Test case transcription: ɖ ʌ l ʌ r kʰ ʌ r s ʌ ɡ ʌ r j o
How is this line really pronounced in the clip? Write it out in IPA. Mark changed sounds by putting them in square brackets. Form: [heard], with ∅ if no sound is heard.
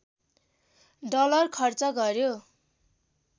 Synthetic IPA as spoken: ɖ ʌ l ʌ r kʰ ʌ r [t͡s] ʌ ɡ ʌ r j o